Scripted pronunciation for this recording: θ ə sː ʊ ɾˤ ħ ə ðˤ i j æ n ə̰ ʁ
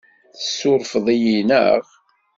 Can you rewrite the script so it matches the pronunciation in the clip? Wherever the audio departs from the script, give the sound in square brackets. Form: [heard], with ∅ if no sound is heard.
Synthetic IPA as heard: θ ə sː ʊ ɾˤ [f] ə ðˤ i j [i] n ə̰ ʁ